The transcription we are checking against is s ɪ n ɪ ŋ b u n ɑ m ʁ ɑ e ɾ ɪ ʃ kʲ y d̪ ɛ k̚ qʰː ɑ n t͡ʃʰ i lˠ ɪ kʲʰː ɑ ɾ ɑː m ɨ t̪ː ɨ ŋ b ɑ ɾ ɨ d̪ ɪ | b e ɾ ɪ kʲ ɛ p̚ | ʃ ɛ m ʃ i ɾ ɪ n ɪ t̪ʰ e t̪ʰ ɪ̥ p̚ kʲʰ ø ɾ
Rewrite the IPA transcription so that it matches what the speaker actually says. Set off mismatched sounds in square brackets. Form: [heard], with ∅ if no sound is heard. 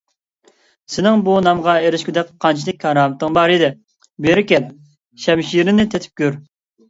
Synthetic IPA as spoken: s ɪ n ɪ ŋ b u n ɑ m ʁ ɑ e ɾ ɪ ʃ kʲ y d̪ ɛ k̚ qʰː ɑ n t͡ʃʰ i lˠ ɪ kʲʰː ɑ ɾ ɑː m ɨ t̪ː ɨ ŋ b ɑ ɾ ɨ d̪ ɪ | b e ɾ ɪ kʲ ɛ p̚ | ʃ ɛ m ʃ i ɾ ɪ n ɪ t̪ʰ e t̪ʰ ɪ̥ p̚ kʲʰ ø ɾ

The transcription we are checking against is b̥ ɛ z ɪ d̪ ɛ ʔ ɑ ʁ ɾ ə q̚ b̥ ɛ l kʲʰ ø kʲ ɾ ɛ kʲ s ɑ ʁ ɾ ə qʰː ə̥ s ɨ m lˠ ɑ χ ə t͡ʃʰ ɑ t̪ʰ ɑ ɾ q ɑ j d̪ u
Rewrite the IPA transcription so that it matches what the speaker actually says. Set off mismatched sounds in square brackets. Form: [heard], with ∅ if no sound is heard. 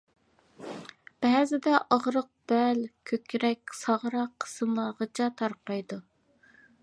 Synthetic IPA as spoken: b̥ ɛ z ɪ d̪ ɛ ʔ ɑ ʁ ɾ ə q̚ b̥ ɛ l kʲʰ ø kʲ ɾ ɛ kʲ s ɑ ʁ ɾ [ɑ] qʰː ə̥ s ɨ m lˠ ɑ [ʁ] ə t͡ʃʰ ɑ t̪ʰ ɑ ɾ q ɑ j d̪ u

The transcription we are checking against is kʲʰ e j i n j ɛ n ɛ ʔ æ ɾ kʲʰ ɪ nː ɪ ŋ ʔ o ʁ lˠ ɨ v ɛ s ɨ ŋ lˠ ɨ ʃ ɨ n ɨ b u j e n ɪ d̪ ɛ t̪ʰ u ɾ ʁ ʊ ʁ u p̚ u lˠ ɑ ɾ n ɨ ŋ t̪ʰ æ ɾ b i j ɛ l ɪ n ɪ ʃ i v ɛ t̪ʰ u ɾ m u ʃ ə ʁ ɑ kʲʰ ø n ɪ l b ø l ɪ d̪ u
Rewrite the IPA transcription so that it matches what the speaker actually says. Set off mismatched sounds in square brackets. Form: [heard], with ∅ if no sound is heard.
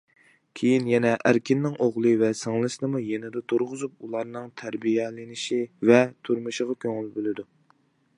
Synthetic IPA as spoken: kʲʰ e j i n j ɛ n ɛ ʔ æ ɾ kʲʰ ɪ nː ɪ ŋ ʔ o ʁ lˠ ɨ v ɛ s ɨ ŋ lˠ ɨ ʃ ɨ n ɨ [m] u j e n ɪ d̪ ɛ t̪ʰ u ɾ ʁ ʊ [z] u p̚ u lˠ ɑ ɾ n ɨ ŋ t̪ʰ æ ɾ b i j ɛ l ɪ n ɪ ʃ i v ɛ t̪ʰ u ɾ m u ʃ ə ʁ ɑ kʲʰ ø [ŋ] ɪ l b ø l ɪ d̪ u

